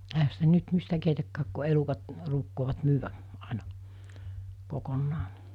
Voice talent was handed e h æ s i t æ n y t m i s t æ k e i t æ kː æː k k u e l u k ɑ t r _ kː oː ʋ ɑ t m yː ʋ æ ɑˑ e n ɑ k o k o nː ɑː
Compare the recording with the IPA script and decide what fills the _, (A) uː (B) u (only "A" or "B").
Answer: A